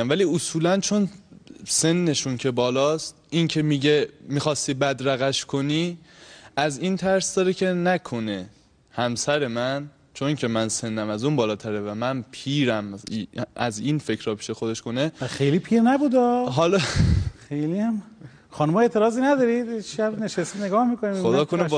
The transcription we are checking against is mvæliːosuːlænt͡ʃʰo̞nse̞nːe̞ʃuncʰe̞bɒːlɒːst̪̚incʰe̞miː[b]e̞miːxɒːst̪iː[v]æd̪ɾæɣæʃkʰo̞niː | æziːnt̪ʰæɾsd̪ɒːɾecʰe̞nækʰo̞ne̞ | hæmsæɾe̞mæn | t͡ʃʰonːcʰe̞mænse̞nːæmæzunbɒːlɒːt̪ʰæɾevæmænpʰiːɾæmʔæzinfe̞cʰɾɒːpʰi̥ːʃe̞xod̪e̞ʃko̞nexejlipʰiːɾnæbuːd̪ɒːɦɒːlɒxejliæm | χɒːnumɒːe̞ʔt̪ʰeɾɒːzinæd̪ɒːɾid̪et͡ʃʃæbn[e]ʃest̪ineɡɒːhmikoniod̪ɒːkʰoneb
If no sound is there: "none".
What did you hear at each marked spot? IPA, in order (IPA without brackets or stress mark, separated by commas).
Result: ɟ, b, e